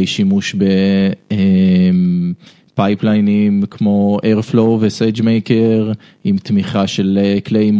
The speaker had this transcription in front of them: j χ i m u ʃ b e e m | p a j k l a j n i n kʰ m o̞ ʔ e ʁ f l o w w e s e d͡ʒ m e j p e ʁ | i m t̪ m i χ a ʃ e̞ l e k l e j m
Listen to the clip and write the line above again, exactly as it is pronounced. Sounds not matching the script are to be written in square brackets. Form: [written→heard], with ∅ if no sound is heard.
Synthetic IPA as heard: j [χ→ʃ] i m u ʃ b e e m | p a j [k→p] l a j n i [n→m] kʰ m o̞ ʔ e ʁ f l o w [w→v] e s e d͡ʒ m e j [p→k] e ʁ | i m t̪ m i χ a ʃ e̞ l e k l e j m